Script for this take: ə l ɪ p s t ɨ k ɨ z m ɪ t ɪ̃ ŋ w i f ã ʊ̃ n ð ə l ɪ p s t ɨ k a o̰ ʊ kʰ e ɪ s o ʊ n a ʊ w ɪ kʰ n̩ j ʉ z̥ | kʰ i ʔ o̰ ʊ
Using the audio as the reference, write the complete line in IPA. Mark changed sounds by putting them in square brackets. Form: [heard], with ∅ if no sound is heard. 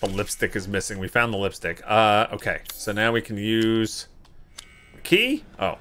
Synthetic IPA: ə l ɪ p s t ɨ k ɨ z m ɪ [s] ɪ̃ ŋ w i f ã ʊ̃ n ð ə l ɪ p s t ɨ k [ʌ] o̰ ʊ kʰ e ɪ s o ʊ n a ʊ w [i] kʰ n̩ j ʉ z̥ | kʰ i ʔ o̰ ʊ